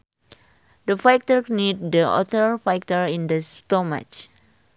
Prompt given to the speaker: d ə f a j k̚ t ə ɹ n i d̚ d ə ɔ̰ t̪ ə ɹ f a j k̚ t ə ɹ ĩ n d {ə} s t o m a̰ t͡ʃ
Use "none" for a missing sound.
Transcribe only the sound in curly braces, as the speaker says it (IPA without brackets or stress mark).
ə